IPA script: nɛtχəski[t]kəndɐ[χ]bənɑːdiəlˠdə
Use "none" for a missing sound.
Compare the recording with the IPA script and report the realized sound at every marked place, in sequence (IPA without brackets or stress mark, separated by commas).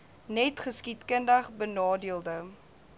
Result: t, χ